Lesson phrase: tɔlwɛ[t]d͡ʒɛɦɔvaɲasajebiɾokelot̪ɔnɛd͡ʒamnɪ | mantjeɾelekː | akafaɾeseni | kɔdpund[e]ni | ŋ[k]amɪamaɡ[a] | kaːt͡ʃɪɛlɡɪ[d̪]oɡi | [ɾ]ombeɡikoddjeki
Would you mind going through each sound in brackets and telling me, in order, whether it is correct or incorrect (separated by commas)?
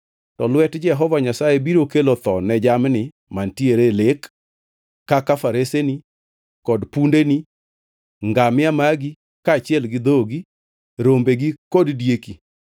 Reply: correct, correct, incorrect, incorrect, correct, correct